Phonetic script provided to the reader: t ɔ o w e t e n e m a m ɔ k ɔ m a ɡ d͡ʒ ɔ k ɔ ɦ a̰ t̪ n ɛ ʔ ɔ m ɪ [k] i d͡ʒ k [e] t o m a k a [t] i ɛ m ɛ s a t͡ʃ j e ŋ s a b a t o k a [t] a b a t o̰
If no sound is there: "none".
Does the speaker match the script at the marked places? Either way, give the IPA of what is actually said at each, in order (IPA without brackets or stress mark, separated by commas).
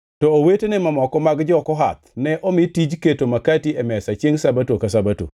t, e, t, s